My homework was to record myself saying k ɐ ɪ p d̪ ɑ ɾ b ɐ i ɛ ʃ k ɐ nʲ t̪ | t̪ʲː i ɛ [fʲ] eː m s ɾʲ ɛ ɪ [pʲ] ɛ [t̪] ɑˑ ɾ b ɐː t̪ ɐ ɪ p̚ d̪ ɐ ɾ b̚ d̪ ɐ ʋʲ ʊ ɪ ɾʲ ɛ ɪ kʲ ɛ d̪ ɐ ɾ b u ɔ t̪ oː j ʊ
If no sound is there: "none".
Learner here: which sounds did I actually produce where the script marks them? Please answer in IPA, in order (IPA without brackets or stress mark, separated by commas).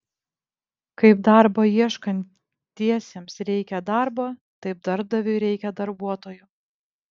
sʲ, kʲ, d̪